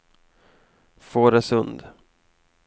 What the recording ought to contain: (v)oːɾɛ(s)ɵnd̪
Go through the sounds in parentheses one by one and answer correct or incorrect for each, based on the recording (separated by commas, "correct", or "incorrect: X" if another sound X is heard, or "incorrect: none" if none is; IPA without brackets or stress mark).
incorrect: f, correct